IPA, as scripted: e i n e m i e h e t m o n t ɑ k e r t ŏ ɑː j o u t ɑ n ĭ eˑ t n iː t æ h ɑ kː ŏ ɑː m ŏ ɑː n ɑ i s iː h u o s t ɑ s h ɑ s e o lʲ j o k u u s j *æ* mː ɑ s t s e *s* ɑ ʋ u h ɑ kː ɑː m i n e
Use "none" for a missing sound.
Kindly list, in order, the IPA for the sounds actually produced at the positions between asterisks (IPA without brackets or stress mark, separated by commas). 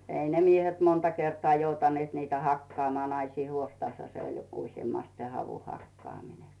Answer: e, h